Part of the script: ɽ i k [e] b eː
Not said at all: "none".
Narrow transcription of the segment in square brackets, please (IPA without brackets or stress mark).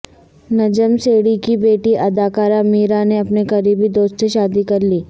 i